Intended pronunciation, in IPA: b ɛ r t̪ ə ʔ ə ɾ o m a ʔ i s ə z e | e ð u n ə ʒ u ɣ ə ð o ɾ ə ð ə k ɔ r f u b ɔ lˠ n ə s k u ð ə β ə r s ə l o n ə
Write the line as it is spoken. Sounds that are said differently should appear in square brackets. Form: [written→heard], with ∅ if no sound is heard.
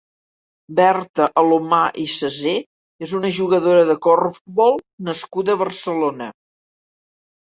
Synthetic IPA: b ɛ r t̪ ə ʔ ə [ɾ→l] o m a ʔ i s ə z e | e [ð→z] u n ə ʒ u ɣ ə ð o ɾ ə ð ə k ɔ r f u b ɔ lˠ n ə s k u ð ə β ə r s ə l o n ə